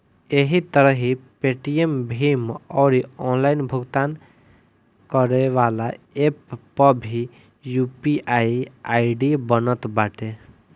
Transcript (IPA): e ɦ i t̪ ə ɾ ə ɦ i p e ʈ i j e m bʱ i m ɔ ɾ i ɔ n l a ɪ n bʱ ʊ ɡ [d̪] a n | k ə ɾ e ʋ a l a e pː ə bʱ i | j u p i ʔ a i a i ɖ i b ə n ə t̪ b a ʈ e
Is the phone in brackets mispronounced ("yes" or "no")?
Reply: yes